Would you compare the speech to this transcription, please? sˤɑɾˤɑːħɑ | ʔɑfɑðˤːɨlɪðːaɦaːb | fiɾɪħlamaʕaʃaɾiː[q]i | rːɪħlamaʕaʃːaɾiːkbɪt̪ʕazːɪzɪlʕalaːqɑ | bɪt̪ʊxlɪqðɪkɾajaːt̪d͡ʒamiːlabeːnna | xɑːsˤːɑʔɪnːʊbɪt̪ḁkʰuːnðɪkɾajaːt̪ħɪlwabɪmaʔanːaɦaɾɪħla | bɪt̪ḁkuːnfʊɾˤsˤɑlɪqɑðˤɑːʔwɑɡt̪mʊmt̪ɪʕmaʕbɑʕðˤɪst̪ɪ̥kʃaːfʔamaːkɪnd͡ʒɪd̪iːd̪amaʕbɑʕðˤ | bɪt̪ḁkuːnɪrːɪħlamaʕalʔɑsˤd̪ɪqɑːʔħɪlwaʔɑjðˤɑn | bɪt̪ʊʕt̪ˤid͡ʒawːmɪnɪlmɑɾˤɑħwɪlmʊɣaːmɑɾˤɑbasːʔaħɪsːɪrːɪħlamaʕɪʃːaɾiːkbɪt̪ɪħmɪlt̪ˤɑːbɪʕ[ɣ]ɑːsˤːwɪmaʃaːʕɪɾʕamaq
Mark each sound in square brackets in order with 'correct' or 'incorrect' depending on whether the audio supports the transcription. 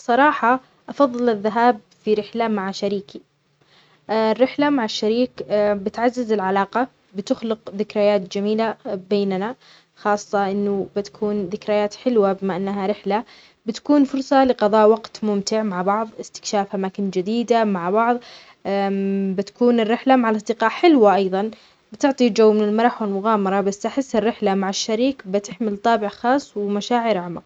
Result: incorrect: k, incorrect: x

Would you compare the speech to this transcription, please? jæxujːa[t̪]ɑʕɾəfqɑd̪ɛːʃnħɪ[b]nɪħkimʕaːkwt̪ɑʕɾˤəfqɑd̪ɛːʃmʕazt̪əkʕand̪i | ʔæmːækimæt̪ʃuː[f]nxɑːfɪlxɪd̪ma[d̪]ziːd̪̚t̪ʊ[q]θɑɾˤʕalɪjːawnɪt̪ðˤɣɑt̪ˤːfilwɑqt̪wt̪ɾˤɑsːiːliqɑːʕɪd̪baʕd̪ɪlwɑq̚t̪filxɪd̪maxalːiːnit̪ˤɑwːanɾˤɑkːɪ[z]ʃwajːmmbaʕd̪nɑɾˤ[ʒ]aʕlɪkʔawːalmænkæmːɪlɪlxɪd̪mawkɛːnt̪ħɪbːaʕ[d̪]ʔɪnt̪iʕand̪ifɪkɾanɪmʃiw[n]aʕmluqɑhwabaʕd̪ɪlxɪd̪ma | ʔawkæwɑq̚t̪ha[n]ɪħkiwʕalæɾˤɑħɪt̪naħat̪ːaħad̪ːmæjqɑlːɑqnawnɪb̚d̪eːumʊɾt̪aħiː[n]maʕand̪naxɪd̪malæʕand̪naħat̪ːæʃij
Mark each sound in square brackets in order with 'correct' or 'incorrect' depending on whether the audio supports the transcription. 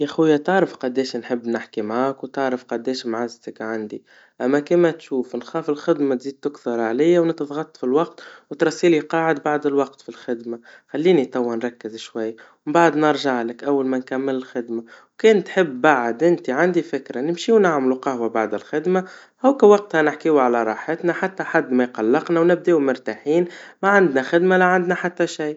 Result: correct, incorrect: bː, correct, incorrect: t̪, incorrect: k, correct, correct, correct, correct, correct, correct

